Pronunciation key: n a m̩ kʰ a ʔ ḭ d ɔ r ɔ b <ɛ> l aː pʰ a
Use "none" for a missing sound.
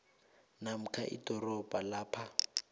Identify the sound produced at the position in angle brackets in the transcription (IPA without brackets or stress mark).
a